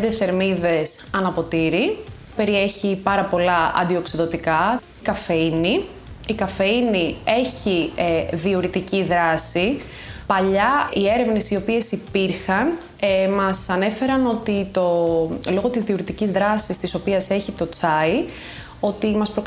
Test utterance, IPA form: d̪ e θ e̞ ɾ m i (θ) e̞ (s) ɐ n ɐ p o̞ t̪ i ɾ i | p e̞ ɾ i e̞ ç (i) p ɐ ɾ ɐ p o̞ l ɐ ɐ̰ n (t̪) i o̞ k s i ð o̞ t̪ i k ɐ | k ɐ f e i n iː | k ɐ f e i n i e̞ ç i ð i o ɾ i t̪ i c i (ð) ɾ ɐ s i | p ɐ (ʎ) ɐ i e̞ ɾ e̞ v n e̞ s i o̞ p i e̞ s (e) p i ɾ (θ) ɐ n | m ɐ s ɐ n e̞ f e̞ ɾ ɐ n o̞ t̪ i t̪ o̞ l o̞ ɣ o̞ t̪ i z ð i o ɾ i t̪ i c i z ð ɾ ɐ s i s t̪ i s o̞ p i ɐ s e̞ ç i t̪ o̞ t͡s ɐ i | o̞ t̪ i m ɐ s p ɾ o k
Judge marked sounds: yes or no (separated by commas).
no, yes, yes, no, yes, yes, no, no